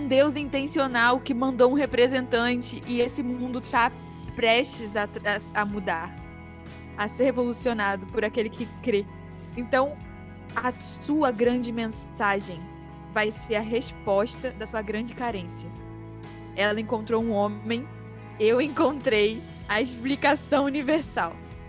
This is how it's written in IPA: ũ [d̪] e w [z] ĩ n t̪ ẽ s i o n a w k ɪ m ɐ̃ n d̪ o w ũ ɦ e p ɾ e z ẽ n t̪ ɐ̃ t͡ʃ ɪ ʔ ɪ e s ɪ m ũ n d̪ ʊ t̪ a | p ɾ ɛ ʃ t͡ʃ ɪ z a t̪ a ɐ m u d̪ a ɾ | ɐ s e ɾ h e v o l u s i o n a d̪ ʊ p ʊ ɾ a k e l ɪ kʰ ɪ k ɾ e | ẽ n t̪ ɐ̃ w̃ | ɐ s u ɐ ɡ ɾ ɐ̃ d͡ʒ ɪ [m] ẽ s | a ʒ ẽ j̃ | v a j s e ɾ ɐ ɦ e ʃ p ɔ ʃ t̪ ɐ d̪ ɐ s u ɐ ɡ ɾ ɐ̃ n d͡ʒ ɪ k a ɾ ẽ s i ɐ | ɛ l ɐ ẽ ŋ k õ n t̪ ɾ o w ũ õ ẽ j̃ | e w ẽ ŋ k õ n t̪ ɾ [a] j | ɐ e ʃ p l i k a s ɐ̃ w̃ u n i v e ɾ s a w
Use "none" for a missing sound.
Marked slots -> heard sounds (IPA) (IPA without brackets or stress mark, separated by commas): d̪, z, m, e